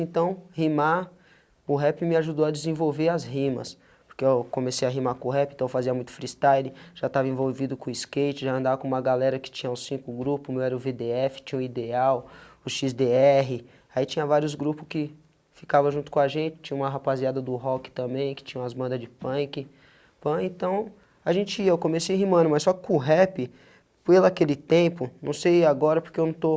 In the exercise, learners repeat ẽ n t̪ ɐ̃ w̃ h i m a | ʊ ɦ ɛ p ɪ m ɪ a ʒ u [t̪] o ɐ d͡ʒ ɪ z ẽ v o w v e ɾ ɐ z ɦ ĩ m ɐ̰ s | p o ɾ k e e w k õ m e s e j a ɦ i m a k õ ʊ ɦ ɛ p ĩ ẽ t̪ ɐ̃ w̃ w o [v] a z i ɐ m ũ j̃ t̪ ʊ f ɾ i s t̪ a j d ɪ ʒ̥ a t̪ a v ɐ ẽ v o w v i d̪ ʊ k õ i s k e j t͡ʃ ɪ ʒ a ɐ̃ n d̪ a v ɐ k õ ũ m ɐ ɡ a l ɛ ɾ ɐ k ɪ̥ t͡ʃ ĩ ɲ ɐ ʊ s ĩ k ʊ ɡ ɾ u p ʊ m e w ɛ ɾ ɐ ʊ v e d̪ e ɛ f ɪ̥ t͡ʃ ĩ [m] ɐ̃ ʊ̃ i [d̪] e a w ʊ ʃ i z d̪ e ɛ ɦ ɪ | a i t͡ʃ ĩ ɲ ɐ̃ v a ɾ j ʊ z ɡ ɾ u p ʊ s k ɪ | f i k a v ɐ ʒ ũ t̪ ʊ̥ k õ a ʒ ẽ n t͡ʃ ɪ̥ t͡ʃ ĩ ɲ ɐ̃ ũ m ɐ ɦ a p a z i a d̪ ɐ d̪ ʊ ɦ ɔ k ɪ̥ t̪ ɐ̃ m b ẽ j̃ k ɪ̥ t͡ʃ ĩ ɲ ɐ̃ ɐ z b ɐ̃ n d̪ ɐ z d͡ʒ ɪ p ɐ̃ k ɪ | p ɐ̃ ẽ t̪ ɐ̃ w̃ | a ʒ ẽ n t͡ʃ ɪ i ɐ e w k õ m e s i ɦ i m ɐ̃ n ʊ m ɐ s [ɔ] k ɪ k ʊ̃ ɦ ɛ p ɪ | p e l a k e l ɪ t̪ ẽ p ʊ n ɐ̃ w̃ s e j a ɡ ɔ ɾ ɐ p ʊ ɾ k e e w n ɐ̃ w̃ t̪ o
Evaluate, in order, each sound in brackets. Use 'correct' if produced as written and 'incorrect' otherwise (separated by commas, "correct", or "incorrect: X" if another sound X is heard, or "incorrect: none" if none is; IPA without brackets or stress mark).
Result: incorrect: d̪, incorrect: f, incorrect: ɲ, correct, correct